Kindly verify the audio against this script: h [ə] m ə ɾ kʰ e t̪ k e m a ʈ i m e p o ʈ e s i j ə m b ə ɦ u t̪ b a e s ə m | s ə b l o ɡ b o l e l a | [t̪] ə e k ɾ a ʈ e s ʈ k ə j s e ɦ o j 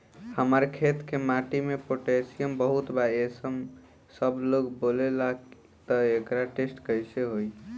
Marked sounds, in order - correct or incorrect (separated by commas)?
correct, correct